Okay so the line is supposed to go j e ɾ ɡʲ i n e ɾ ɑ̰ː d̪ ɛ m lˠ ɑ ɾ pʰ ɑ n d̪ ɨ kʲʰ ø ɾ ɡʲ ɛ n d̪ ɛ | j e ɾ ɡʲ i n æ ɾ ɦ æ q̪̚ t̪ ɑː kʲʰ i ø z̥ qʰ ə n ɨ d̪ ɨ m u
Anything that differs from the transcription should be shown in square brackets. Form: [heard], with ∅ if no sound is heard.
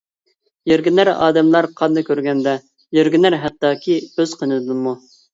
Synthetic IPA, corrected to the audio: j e ɾ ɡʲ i n [æ] ɾ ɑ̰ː d̪ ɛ m lˠ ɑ ɾ [qʰ] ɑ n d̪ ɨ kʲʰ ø ɾ ɡʲ ɛ n d̪ ɛ | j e ɾ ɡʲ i n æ ɾ ɦ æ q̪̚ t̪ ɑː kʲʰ i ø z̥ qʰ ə n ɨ d̪ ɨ m u